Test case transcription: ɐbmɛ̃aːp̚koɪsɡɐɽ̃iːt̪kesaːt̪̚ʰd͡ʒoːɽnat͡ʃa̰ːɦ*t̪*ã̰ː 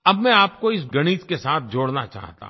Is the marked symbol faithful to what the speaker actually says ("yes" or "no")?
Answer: yes